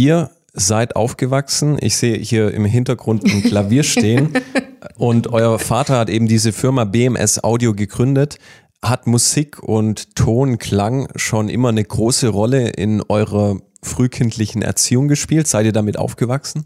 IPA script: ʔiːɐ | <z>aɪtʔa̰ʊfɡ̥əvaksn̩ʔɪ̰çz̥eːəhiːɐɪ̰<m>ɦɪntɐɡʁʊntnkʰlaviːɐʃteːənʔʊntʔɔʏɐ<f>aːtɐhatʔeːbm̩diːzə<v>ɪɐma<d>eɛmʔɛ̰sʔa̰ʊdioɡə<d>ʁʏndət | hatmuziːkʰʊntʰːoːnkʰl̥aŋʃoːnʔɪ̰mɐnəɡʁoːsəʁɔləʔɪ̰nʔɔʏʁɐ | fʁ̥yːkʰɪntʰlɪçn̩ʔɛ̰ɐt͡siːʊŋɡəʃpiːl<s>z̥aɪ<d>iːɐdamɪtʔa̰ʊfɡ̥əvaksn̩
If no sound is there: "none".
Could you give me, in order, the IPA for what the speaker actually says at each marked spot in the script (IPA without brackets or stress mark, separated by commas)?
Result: z, m, f, f, b, ɡ, t, t